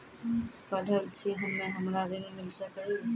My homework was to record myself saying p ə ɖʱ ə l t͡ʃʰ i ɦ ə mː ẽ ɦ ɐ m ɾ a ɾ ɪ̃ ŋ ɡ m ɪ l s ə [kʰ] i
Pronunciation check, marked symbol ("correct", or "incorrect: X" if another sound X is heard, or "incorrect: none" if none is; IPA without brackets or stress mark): incorrect: k